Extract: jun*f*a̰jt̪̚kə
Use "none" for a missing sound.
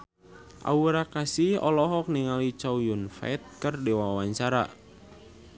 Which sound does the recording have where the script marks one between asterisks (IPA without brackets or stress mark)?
f